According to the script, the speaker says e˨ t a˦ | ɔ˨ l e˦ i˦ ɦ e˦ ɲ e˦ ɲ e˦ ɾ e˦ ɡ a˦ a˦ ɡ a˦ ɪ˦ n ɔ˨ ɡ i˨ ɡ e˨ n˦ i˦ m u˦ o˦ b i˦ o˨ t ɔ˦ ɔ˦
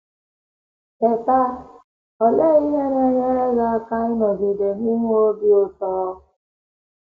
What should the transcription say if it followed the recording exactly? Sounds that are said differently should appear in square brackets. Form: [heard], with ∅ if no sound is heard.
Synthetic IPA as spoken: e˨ t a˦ | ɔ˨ l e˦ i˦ ɦ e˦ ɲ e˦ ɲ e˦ ɾ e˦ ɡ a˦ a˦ [k] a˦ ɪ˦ n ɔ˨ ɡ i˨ [d] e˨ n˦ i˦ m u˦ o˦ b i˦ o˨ t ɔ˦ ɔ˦